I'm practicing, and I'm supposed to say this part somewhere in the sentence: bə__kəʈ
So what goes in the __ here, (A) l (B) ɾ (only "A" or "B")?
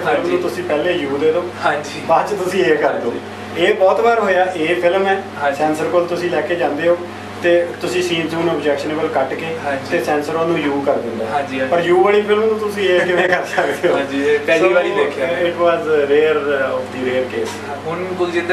A